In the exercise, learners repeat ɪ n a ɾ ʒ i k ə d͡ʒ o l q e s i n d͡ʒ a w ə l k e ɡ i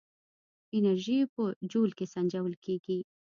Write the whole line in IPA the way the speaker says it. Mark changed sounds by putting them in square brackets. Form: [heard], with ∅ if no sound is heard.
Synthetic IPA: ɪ n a ɾ ʒ i [p] ə d͡ʒ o l [k] e s [a] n d͡ʒ a w ə l k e ɡ i

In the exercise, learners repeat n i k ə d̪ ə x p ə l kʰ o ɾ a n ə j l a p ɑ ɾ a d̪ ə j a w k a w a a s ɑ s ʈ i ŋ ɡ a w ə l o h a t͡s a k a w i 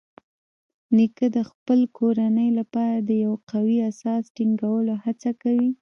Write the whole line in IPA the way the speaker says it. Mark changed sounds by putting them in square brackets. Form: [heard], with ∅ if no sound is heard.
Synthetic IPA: n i k ə d̪ ə x p ə l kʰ o ɾ a n ə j l a p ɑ ɾ a d̪ ə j a w [q] a w [i] a s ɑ s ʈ i ŋ ɡ a w ə l o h a t͡s a k a w i

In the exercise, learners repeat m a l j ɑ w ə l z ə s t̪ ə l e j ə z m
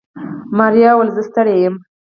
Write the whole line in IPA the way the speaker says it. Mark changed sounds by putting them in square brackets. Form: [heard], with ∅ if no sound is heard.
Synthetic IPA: m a [ɾ] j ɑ w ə l z ə s t̪ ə [ɽ] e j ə [∅] m

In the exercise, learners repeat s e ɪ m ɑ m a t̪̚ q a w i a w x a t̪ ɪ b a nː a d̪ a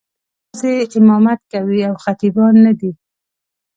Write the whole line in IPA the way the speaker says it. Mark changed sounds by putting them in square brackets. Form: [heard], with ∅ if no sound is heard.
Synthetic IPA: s e ɪ m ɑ m a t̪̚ [k] a w i a w x a t̪ [i] b [ɑ] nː a d̪ [i]

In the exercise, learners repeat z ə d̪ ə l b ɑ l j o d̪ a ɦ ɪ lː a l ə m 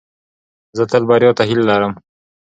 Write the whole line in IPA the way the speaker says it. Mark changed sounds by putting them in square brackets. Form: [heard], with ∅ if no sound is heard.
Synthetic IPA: z ə [t̪] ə l b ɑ [ɾ] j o [t̪] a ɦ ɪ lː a [ɾ] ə m

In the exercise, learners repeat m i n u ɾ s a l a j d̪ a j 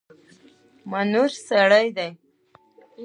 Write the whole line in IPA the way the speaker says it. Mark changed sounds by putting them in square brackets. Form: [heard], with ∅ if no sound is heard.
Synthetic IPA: m [a] n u ɾ s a [ɽ] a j d̪ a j

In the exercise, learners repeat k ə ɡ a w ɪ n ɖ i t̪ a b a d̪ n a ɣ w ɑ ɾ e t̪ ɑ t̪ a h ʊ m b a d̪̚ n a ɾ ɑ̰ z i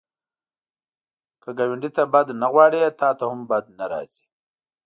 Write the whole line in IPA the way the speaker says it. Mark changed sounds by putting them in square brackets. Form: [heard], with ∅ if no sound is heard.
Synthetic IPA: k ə ɡ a w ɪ [ɳ] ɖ i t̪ a b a d̪ n a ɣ w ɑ [ɽ] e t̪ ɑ t̪ a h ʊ m b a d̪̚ n a ɾ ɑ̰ z i

